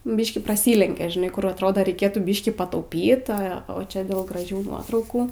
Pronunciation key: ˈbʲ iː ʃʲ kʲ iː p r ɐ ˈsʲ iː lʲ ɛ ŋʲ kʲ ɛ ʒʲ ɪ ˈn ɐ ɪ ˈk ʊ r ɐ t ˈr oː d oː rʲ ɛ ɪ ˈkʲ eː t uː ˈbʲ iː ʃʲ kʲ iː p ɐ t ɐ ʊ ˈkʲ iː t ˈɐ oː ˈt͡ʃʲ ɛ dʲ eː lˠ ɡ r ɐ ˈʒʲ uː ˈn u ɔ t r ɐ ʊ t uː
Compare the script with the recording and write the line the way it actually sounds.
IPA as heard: ˈbʲ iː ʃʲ kʲ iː p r ɐ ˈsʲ iː lʲ ɛ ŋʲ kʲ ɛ ʒʲ ɪ ˈn ɐ ɪ ˈk ʊ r ɐ t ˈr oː d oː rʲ ɛ ɪ ˈkʲ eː t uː ˈbʲ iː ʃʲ kʲ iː p ɐ t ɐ ʊ ˈpʲ iː t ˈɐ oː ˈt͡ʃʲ ɛ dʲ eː lˠ ɡ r ɐ ˈʒʲ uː ˈn u ɔ t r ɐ ʊ k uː